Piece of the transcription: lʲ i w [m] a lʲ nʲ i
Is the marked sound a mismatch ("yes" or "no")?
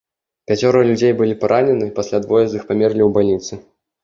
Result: yes